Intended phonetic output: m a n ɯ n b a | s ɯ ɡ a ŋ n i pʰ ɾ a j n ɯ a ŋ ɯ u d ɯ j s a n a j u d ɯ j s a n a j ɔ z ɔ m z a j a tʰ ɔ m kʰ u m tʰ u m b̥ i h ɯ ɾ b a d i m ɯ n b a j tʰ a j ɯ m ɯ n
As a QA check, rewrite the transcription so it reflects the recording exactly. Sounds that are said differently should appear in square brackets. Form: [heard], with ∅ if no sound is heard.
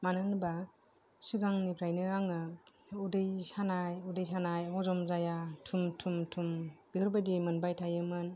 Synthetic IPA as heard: m a n ɯ n b a | s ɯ ɡ a ŋ n i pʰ ɾ a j n ɯ a ŋ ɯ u d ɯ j s a n a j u d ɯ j s a n a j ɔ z ɔ m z a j a tʰ [u] m [tʰ] u m tʰ u m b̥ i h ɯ ɾ b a d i m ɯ n b a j tʰ a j ɯ m ɯ n